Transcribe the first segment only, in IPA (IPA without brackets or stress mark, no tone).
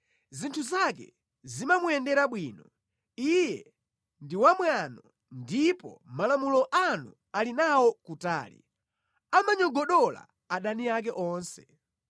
z